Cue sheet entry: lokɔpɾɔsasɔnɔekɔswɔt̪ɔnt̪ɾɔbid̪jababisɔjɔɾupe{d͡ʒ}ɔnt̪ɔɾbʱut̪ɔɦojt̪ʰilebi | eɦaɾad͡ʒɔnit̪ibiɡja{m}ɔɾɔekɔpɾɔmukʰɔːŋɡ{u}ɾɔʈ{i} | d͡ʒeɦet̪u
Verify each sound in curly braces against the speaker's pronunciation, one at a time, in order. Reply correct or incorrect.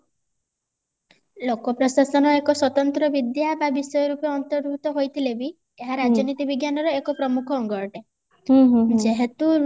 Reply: incorrect: none, incorrect: n, incorrect: ɔ, incorrect: e

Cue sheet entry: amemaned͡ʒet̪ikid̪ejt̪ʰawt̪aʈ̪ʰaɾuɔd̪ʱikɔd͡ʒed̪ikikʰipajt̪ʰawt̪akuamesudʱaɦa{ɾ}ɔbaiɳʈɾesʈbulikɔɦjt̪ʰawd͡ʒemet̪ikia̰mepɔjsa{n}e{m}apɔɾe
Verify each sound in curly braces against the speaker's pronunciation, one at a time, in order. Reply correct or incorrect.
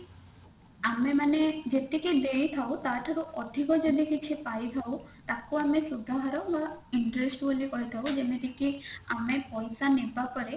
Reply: correct, correct, incorrect: b

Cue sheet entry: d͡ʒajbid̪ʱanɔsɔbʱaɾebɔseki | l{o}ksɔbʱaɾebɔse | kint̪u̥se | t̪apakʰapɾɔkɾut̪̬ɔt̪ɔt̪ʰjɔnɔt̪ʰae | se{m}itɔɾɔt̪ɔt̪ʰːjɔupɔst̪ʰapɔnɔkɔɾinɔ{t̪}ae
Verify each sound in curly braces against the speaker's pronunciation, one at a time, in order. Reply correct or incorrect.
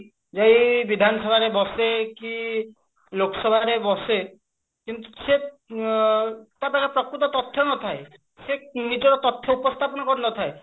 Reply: correct, incorrect: n, incorrect: t̪ʰ

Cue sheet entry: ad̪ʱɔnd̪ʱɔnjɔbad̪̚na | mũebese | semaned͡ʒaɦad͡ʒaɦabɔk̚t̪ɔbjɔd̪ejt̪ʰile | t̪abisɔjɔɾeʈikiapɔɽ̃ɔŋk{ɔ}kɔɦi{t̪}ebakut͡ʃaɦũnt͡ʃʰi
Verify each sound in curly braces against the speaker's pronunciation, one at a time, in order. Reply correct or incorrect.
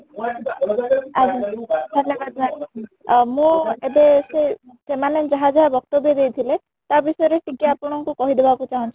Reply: incorrect: u, incorrect: d̪

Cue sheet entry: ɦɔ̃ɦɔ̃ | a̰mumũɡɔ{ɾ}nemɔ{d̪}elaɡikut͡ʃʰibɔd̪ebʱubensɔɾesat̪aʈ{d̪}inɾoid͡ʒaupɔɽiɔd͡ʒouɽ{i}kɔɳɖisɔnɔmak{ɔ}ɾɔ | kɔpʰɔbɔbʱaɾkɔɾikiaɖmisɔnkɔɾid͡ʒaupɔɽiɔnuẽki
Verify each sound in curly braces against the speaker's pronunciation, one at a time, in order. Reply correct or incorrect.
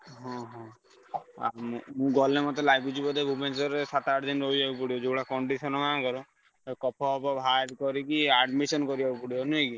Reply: incorrect: l, incorrect: t̪, correct, incorrect: a, correct

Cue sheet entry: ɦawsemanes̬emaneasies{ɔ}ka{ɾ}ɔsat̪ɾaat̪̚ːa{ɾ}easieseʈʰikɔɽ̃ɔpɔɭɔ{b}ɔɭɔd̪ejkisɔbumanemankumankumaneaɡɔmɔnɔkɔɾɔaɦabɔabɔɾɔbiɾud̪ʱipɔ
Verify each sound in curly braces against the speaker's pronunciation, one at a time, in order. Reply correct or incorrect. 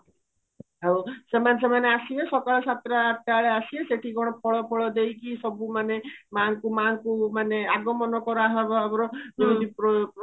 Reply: correct, incorrect: ɭ, incorrect: ɭ, incorrect: p

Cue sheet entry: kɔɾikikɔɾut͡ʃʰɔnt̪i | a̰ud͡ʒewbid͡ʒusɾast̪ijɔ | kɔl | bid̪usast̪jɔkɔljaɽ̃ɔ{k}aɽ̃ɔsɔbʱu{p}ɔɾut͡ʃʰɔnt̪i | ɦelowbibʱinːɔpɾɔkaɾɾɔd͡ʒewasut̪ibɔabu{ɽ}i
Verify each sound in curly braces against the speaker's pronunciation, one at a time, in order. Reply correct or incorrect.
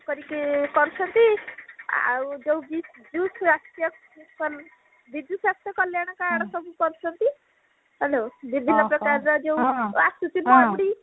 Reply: correct, incorrect: k, correct

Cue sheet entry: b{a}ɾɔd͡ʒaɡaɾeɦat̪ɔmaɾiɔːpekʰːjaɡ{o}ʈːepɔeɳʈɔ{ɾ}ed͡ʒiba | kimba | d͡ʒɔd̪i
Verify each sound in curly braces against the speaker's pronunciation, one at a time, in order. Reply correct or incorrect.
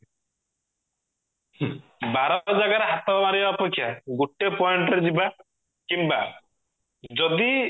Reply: correct, incorrect: u, correct

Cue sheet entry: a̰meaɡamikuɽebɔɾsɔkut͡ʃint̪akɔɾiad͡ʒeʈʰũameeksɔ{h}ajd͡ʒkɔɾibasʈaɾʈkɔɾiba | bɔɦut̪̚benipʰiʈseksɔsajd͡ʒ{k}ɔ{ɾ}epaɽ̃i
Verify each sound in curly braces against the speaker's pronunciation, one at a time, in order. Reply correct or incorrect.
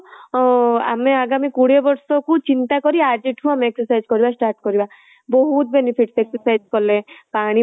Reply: incorrect: s, correct, incorrect: l

